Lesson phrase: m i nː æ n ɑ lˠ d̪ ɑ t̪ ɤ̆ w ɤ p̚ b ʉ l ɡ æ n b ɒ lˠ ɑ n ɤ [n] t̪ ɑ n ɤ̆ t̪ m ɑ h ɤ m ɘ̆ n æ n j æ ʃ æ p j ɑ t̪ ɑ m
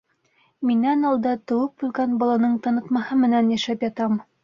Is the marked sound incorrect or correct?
incorrect